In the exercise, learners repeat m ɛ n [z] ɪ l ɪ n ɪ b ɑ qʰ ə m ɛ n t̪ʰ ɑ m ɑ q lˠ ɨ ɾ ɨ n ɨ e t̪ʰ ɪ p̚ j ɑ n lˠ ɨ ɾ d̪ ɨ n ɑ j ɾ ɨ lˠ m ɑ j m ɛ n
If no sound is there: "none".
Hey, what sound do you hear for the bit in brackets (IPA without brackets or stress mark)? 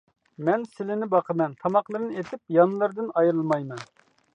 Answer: s